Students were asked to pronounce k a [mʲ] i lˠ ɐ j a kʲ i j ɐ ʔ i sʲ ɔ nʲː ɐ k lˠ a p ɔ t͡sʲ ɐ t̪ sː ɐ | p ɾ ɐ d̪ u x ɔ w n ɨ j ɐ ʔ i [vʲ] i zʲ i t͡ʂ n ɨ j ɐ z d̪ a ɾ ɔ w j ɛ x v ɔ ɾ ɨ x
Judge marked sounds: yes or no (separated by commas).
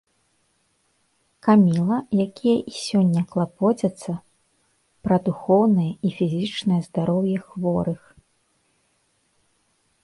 yes, no